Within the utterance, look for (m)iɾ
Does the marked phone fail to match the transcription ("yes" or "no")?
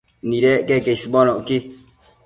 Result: yes